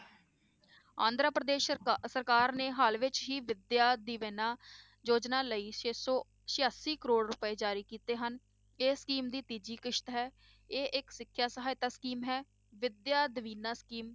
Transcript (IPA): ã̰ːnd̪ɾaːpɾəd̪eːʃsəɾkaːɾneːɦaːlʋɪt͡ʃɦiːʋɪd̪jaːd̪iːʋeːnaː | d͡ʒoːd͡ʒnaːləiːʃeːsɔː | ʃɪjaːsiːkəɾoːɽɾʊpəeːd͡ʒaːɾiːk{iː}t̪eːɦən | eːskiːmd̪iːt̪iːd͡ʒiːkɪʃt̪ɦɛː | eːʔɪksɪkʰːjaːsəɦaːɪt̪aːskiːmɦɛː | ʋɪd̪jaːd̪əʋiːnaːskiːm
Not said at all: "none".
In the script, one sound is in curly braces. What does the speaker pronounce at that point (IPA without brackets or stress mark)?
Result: iː